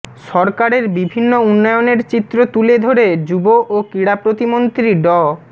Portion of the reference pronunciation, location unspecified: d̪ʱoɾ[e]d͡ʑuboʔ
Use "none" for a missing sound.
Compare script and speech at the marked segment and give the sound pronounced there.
e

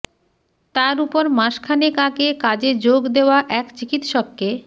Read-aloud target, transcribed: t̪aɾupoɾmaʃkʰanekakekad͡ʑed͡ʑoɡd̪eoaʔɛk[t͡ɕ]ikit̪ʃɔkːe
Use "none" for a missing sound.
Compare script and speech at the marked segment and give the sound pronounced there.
t͡ɕ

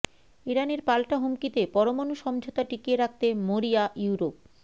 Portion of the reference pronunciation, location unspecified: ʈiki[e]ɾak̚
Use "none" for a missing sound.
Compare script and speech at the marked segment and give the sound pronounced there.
e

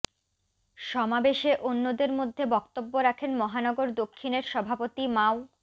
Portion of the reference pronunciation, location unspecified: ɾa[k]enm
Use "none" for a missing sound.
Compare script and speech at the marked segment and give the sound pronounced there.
kʰ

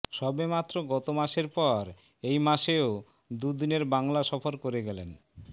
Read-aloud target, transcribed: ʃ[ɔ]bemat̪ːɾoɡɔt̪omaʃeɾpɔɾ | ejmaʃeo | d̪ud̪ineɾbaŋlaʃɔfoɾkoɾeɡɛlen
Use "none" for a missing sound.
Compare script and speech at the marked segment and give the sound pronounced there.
ɔ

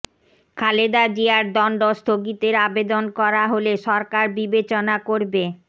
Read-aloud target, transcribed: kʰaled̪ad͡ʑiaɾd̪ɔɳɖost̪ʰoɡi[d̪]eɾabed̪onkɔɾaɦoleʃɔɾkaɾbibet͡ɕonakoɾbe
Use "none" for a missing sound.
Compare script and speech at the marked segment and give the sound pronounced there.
t̪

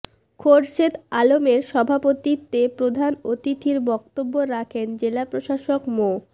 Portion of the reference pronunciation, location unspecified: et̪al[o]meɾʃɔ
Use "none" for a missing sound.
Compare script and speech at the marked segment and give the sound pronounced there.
o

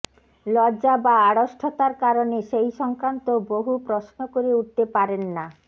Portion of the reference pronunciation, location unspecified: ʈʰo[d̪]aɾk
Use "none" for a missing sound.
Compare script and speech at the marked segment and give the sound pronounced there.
t̪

